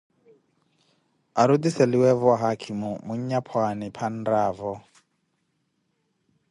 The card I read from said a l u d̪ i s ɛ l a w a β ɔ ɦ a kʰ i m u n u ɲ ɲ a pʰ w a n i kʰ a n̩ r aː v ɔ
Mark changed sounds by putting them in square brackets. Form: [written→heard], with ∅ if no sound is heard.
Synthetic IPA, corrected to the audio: a [l→ɾ] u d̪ i s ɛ l [a→i] w [a→ɛ] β ɔ ɦ a kʰ i m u [n→m] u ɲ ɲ a pʰ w a n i [kʰ→pʰ] a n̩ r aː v ɔ